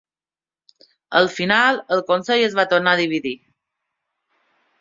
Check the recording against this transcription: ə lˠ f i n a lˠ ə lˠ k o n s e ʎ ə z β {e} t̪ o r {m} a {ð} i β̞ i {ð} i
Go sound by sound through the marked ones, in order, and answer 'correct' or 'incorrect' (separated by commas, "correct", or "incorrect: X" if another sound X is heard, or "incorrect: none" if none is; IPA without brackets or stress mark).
incorrect: a, incorrect: n, correct, correct